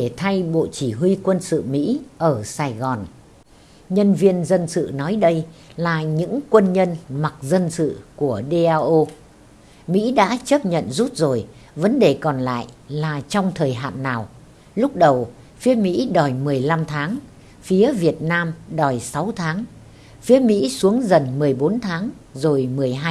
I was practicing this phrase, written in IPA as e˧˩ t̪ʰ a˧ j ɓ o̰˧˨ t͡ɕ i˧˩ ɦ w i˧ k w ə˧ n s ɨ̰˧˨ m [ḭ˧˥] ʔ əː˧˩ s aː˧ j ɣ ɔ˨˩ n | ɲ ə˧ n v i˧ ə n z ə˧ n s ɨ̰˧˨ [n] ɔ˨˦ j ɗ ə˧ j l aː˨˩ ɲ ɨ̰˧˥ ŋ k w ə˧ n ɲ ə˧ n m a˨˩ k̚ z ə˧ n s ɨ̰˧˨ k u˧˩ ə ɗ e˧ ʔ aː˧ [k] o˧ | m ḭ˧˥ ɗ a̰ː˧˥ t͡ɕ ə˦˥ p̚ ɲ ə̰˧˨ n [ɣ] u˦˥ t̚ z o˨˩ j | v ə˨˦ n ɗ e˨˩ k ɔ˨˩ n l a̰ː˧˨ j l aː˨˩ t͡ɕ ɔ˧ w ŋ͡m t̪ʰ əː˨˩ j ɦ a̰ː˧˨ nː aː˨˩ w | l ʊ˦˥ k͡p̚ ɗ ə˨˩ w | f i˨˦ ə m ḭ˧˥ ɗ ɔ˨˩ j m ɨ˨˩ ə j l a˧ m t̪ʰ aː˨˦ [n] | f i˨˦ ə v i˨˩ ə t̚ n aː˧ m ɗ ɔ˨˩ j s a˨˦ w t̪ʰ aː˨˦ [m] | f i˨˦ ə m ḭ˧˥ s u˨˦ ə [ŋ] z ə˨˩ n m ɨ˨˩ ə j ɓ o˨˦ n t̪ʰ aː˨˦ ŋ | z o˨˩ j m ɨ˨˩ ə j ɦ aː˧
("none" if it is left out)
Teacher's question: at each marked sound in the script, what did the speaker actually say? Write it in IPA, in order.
ḭ˧˥, n, ʔ, z, ŋ, ŋ, ŋ

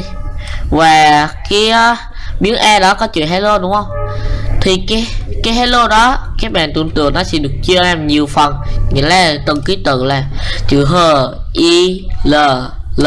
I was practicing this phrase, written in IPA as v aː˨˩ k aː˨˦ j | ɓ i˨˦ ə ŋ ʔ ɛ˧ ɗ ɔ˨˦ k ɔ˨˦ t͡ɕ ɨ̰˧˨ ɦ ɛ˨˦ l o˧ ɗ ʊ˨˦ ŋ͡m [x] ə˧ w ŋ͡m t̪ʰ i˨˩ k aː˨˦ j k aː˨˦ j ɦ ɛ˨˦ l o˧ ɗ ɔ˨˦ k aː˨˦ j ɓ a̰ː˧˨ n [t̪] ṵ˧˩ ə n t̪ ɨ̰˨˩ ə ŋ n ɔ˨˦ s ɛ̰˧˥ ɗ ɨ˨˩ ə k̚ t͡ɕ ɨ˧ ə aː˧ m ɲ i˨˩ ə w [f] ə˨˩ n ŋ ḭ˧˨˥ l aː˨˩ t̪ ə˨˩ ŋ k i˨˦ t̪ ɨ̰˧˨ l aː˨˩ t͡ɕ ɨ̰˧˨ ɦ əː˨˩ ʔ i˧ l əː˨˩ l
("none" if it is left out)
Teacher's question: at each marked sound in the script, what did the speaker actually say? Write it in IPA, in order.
h, t̪, f

